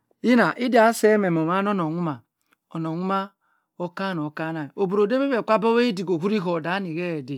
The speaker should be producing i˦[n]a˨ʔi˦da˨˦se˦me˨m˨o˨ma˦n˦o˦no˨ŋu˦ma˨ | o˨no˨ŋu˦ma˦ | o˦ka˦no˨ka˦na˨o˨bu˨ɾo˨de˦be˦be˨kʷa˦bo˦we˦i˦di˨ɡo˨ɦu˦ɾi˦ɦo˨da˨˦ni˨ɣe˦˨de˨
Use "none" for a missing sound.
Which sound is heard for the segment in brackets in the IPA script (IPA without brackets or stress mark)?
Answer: n